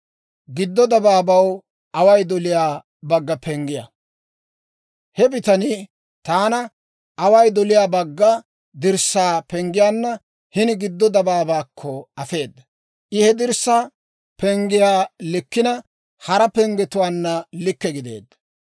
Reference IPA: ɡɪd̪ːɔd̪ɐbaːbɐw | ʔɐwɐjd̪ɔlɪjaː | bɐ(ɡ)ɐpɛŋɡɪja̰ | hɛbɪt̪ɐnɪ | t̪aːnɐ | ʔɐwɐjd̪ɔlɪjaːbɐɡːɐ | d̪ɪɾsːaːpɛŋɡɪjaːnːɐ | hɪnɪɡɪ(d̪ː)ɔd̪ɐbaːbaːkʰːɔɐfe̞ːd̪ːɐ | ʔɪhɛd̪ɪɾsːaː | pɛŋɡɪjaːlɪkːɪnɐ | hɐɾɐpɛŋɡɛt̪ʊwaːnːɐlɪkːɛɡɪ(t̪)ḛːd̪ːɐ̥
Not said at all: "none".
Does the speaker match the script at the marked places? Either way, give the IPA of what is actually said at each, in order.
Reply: ɡː, d̪ː, d̪

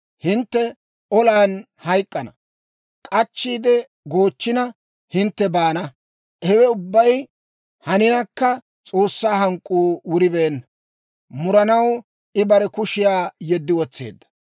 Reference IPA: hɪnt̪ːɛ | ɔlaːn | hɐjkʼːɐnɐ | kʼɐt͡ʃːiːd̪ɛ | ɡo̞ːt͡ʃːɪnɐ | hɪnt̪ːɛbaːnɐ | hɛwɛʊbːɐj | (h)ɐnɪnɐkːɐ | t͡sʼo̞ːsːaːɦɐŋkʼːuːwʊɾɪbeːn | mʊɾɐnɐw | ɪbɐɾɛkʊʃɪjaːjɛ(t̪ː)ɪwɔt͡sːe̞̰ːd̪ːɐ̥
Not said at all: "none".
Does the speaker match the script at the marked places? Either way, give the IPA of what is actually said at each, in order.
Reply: h, d̪ː

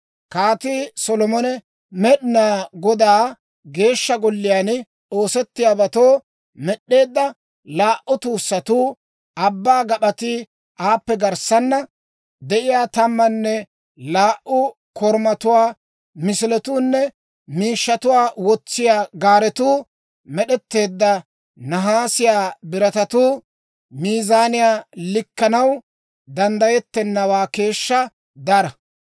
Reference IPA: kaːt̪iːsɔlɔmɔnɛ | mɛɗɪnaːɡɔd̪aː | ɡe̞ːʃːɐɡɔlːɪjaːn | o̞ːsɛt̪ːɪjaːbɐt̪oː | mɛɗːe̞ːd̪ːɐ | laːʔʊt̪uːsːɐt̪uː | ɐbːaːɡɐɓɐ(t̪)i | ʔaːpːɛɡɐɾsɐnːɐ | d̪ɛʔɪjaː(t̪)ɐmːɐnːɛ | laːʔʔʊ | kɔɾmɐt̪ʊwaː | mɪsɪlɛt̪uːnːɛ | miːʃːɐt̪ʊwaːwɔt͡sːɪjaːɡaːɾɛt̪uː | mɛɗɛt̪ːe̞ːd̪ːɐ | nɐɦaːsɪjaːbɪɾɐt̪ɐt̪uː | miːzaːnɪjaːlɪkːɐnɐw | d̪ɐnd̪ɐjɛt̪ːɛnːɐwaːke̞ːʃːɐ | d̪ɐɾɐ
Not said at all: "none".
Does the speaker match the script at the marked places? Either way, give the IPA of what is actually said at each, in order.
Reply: t̪, t̪

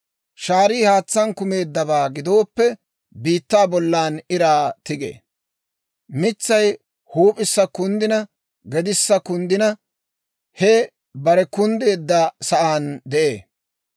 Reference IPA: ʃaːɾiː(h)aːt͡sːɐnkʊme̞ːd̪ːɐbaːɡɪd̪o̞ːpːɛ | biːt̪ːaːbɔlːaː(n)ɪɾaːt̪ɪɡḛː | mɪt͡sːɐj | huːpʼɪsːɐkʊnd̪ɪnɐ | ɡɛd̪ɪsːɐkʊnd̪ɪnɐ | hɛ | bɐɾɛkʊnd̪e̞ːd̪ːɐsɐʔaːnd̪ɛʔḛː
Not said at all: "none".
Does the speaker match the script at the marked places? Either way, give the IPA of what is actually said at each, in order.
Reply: h, n

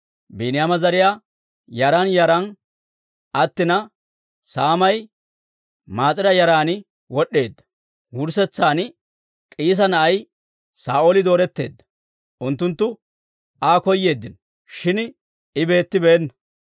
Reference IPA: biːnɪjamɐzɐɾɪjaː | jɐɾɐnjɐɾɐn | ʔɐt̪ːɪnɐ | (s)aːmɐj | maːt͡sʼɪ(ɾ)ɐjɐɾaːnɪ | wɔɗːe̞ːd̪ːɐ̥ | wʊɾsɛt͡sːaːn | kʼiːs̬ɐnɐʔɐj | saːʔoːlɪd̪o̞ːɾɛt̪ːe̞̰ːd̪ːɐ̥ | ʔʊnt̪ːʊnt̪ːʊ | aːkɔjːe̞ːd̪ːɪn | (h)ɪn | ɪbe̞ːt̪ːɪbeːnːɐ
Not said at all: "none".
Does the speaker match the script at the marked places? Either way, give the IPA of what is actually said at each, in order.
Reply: s, ɾ, ʃ

